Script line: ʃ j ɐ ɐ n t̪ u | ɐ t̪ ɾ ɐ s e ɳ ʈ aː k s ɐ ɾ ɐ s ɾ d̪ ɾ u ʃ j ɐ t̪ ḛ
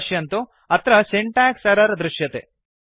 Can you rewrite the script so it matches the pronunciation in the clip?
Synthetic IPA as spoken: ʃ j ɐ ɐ n t̪ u | ɐ t̪ ɾ ɐ s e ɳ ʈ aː k s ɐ ɾ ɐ ɾ d̪ ɾ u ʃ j ɐ t̪ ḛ